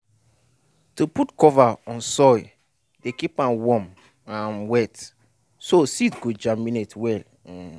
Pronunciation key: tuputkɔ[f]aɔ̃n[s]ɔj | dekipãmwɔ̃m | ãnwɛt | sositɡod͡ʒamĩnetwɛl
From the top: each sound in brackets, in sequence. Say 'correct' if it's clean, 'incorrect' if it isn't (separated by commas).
incorrect, correct